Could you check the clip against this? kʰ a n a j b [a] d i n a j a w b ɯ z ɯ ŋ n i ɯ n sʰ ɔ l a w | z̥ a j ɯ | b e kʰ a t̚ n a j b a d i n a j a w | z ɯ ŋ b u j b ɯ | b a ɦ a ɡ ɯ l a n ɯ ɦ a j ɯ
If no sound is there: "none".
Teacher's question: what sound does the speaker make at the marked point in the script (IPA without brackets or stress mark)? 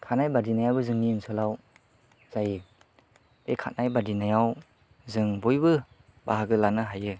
a